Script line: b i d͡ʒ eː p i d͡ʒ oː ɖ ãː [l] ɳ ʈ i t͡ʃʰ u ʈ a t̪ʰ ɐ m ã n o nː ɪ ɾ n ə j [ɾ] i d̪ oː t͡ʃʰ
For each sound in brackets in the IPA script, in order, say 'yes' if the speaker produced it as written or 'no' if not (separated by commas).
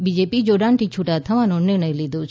no, no